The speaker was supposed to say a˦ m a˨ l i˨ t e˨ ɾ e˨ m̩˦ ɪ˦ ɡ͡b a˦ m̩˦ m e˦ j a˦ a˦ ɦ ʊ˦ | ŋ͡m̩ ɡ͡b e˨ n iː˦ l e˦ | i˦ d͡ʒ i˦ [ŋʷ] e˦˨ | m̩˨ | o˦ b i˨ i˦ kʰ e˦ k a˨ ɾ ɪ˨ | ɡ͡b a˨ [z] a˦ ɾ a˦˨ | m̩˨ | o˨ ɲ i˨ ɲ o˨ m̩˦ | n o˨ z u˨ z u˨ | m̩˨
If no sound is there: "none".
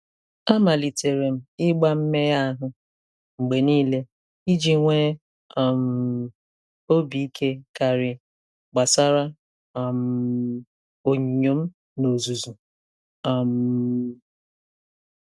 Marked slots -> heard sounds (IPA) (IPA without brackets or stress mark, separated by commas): ŋʷ, s